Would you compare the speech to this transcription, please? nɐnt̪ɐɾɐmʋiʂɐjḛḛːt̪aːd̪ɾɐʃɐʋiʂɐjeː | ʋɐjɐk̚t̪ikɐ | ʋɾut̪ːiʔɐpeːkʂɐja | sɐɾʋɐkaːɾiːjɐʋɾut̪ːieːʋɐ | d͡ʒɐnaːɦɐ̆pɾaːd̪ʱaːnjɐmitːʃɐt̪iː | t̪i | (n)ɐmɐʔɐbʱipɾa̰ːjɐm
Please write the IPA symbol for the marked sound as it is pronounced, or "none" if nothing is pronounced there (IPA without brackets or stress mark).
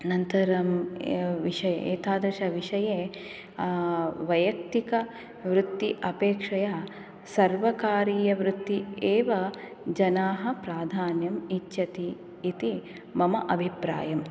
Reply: m